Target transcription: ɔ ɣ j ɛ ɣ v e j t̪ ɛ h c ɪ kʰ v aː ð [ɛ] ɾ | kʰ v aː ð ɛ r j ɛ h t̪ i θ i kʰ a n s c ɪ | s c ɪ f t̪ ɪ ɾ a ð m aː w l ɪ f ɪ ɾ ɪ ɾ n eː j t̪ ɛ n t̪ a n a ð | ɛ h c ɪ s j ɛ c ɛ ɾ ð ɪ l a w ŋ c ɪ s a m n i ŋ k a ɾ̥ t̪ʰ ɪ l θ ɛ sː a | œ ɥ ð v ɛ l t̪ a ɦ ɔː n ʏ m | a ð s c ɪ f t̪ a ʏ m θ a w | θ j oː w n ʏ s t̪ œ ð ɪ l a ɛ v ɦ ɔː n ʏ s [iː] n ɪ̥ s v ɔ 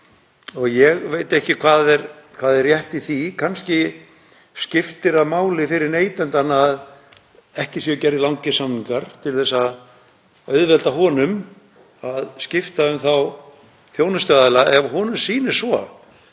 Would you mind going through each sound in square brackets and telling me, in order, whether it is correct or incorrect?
correct, correct

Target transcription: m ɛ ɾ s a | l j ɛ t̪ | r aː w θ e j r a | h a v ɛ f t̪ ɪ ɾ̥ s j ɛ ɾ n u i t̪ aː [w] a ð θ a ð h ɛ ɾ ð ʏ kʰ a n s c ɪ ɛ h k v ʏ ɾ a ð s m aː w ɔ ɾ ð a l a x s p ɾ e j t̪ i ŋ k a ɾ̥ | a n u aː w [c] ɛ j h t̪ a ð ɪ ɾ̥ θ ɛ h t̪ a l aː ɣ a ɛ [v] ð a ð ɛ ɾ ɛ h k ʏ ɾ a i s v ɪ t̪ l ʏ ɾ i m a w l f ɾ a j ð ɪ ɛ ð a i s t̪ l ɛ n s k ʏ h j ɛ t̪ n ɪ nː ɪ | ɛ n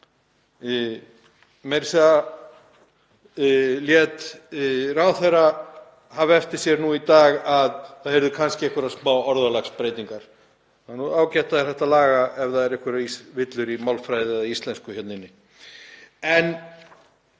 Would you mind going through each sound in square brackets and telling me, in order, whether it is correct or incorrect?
incorrect, correct, correct

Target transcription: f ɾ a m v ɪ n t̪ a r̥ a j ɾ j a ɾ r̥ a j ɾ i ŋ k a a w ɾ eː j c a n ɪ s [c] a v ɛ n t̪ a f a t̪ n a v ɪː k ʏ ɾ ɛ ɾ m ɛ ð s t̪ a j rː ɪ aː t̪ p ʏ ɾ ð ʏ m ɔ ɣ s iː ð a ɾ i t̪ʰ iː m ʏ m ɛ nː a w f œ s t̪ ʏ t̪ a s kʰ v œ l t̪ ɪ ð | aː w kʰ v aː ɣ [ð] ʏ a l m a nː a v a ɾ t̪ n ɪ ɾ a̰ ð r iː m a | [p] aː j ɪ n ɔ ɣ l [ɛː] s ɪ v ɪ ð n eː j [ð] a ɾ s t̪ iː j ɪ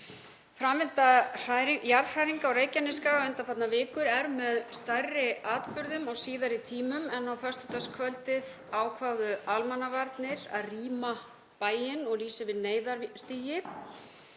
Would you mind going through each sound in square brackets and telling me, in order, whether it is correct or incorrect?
incorrect, correct, correct, incorrect, correct

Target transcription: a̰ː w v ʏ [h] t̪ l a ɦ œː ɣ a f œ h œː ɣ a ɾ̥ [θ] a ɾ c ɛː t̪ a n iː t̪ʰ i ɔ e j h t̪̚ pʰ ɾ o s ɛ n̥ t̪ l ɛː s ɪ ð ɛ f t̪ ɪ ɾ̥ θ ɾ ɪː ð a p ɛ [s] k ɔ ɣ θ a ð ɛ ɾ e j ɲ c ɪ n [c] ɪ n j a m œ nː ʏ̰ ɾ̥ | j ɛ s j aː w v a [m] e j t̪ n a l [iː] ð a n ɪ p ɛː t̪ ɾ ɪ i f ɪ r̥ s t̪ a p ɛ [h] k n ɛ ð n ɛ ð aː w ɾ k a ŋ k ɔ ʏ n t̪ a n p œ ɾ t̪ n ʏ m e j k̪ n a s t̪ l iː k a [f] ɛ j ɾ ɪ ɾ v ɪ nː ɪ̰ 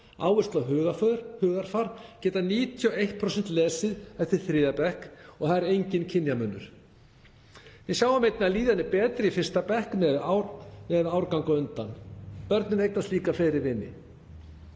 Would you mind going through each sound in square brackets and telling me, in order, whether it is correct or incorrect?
incorrect, incorrect, incorrect, incorrect, correct, correct, correct, correct

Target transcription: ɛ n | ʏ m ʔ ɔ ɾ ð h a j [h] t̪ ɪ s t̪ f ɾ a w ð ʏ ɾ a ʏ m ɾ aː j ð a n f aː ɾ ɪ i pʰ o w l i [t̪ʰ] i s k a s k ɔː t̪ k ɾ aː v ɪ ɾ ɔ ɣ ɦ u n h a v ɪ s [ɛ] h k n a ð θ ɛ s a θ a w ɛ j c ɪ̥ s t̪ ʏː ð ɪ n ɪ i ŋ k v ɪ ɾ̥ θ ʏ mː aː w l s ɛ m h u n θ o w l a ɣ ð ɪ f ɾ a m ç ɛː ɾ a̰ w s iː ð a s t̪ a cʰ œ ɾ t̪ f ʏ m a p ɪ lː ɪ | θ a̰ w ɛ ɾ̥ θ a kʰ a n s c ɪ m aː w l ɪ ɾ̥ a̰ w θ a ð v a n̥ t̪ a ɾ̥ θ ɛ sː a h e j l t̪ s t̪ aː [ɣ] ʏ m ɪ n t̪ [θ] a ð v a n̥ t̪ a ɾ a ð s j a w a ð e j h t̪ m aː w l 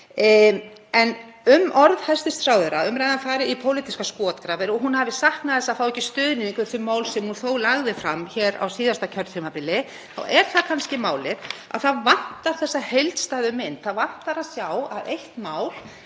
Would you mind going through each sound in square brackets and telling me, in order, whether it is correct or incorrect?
incorrect, incorrect, incorrect, incorrect, correct

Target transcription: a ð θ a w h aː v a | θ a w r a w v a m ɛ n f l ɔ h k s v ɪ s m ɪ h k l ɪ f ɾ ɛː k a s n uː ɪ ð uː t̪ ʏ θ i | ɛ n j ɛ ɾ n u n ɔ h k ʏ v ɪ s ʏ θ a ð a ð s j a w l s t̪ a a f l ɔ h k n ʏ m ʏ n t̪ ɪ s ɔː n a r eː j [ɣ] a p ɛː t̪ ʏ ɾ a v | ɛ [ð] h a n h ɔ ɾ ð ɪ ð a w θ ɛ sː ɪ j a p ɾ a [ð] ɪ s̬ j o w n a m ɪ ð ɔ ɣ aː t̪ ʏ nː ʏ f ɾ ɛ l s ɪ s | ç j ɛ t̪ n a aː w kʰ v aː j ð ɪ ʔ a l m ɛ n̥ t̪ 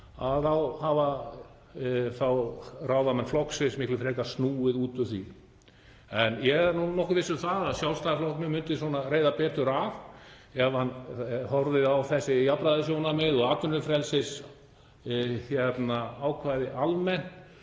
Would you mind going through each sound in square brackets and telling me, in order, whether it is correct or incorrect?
incorrect, incorrect, correct

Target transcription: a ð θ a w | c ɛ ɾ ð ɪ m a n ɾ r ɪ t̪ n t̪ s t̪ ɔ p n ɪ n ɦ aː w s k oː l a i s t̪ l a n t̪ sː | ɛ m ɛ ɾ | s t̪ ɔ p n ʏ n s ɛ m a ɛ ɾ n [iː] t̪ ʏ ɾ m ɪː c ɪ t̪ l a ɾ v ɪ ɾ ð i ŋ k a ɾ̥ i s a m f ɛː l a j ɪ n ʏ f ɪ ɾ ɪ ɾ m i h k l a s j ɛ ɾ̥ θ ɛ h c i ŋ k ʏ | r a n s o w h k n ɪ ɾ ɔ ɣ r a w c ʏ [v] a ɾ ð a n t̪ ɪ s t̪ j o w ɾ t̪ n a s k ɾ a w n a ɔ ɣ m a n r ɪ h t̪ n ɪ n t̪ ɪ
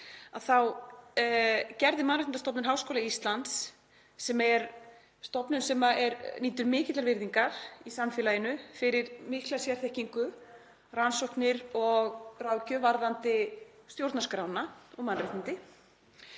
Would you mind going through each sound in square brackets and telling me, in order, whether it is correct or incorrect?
correct, correct

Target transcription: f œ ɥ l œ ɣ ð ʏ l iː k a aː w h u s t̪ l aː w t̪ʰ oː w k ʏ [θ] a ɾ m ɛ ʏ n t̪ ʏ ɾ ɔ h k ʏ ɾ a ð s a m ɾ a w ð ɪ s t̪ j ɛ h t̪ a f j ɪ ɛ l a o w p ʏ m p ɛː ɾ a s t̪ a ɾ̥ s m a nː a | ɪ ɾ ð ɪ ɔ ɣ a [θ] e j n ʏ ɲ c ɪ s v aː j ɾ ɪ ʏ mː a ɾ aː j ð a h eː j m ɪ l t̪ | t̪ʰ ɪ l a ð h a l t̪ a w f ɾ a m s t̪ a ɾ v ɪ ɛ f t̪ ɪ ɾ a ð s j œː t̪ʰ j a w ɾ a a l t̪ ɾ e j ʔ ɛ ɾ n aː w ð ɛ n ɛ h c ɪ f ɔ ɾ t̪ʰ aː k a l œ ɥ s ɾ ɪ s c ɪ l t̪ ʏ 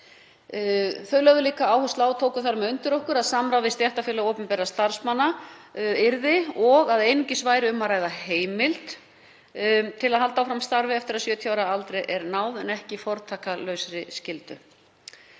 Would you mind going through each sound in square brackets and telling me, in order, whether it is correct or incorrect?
correct, incorrect

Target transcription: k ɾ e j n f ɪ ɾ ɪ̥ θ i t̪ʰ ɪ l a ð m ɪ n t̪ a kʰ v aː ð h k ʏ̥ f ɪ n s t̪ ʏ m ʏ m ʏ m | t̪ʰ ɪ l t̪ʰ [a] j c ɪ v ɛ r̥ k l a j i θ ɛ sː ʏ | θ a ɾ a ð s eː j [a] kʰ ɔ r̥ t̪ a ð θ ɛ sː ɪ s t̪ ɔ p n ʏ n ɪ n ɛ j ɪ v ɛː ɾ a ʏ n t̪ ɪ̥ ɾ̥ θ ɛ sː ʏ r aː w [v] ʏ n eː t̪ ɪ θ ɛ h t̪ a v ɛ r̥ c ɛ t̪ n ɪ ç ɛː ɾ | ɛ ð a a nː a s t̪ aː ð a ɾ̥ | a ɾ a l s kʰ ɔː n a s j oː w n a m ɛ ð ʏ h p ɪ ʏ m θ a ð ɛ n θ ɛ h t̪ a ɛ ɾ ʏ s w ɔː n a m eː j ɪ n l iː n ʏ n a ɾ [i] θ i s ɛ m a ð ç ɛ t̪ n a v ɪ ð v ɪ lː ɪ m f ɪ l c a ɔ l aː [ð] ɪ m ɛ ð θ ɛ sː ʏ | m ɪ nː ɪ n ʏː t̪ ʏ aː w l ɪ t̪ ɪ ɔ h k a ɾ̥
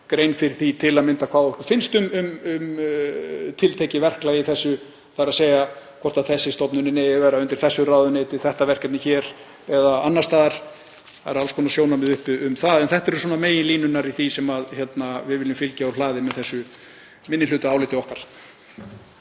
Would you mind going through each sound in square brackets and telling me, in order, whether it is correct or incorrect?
incorrect, correct, incorrect, correct, correct

